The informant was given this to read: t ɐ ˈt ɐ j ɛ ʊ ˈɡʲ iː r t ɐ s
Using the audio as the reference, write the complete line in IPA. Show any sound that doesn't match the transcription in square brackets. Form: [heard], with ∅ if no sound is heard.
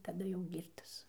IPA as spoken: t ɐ [ˈd] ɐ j ɛ ʊ ˈɡʲ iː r t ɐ s